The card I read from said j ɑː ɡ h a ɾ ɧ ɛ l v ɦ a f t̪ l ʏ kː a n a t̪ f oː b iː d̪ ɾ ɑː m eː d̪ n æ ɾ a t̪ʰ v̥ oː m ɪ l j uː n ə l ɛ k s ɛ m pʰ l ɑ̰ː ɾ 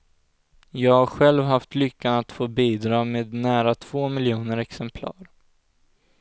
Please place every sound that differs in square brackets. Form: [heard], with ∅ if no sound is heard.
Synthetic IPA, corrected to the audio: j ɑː ɡ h a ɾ ɧ ɛ l v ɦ a f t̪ l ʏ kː a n a t̪ f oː b iː d̪ ɾ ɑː m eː d̪ n [æː] ɾ a t̪ʰ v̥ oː m ɪ l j uː n ə [ɾ] ɛ k s ɛ m pʰ l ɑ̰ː ɾ